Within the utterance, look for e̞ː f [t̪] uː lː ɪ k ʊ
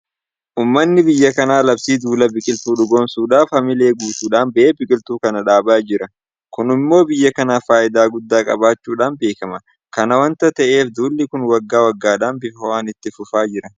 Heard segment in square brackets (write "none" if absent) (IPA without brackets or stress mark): d̪